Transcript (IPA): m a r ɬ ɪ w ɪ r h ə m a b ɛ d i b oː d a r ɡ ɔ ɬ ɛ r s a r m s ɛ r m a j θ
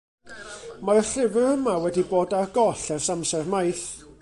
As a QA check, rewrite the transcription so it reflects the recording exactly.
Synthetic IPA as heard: m a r ɬ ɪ v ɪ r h ə m a w ɛ d i b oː d a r ɡ ɔ ɬ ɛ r s a m s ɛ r m a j θ